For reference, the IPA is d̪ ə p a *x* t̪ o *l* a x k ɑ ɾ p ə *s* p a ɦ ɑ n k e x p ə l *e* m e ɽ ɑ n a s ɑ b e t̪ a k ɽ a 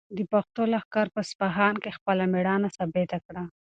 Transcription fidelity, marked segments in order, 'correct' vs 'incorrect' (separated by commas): correct, correct, correct, incorrect